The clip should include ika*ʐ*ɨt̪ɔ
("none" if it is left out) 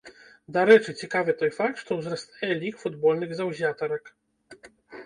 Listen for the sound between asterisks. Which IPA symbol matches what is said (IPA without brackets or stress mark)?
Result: v